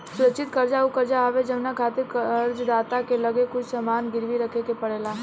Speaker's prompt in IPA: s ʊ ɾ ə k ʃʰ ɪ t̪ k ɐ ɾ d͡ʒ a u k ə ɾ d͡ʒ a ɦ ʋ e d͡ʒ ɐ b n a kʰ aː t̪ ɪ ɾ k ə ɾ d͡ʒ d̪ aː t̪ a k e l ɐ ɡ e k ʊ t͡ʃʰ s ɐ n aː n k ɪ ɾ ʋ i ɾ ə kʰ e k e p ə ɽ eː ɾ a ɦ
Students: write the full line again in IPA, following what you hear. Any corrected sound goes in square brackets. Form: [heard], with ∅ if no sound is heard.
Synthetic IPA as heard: s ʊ ɾ ə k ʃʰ ɪ t̪ k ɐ ɾ d͡ʒ a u k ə ɾ d͡ʒ a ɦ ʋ e d͡ʒ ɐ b n a kʰ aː t̪ ɪ ɾ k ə ɾ d͡ʒ d̪ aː t̪ a k e l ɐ ɡ e k ʊ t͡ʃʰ s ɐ [m] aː n [ɡ] ɪ ɾ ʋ i ɾ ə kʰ e k e p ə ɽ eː [l] a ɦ